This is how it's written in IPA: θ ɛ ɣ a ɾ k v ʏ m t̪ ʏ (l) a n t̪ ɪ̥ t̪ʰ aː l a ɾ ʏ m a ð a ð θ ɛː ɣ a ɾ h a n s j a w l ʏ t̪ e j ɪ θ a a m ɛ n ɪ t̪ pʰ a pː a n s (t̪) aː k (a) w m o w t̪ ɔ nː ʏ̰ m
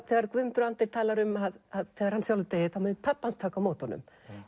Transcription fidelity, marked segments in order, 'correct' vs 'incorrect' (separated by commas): incorrect, incorrect, correct